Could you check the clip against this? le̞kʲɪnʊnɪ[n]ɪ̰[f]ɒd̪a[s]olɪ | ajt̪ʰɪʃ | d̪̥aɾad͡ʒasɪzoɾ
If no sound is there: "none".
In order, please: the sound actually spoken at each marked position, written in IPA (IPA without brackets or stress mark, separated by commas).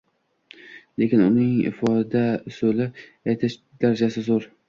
ŋ, f, s